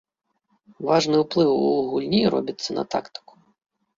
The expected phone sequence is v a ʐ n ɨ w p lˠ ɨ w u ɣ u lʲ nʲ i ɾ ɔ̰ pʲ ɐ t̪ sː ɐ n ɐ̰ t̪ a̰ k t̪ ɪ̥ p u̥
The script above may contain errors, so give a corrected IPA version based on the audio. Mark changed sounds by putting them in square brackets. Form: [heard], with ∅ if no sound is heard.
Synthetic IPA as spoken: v a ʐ n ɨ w p lˠ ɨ w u ɣ u lʲ nʲ i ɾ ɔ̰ [bʲ] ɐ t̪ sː ɐ n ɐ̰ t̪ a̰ k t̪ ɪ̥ [k] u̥